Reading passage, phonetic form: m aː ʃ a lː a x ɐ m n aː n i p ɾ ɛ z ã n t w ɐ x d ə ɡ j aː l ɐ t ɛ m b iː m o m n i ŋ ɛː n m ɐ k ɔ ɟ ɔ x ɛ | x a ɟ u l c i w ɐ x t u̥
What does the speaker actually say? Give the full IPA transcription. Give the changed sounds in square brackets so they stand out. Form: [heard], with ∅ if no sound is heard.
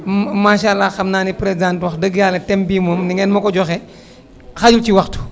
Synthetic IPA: m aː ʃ a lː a x ɐ m n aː n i p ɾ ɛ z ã n t w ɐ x d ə ɡ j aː l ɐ t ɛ m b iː m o m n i ŋ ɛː n m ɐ k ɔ ɟ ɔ x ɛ | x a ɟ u l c i w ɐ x t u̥